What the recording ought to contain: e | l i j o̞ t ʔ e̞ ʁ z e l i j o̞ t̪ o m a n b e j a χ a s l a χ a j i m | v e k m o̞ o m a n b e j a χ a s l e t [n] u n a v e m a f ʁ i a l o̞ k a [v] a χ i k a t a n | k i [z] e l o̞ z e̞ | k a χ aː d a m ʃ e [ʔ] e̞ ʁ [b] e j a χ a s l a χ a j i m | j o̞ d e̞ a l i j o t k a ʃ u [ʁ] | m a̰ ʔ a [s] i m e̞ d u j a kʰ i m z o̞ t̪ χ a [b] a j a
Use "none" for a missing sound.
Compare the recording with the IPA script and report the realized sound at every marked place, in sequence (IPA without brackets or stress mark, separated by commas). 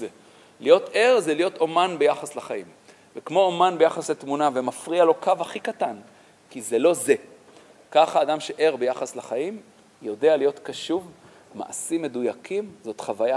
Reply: m, v, z, ʔ, b, v, s, v